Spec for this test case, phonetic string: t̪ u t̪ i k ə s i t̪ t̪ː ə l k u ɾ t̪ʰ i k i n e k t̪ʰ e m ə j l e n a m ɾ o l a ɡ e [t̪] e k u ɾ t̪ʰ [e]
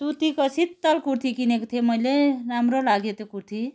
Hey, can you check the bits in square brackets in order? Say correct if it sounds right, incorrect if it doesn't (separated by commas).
correct, incorrect